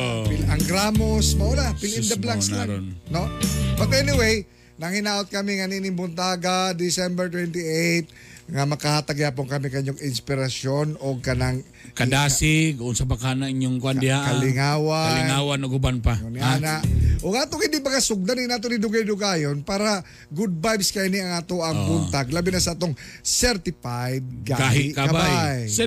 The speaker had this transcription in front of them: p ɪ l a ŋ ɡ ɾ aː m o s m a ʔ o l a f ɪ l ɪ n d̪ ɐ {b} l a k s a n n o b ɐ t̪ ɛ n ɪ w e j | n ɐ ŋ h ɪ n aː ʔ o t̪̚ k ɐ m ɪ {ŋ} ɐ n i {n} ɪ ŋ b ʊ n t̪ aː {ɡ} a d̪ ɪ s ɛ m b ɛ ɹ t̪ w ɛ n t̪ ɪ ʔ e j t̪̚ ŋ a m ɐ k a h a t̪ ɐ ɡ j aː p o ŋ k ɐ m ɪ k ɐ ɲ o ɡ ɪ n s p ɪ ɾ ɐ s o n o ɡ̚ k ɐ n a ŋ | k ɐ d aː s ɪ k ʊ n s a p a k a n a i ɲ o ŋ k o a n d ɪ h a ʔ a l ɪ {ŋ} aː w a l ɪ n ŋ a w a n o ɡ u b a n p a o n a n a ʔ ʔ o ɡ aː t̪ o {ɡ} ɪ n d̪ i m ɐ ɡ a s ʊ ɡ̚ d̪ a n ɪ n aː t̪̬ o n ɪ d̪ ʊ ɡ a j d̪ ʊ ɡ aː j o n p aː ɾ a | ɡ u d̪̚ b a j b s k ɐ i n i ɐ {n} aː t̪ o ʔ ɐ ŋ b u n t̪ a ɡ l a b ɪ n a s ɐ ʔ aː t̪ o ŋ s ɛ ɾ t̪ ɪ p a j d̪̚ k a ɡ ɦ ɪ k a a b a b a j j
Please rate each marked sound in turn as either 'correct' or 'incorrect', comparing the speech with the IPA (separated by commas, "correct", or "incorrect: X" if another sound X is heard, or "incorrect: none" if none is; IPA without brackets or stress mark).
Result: correct, correct, correct, correct, correct, incorrect: ŋ, incorrect: ŋ